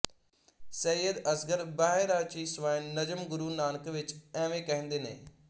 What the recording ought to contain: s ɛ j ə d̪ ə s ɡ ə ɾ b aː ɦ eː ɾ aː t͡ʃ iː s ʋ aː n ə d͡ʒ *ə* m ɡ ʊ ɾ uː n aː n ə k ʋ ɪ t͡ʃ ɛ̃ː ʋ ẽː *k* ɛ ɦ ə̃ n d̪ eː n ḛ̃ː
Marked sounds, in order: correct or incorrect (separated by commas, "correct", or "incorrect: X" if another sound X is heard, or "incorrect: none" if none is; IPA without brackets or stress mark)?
correct, correct